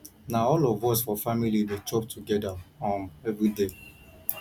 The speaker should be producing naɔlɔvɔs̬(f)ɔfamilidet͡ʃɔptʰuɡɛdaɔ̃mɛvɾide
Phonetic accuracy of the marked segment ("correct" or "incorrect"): correct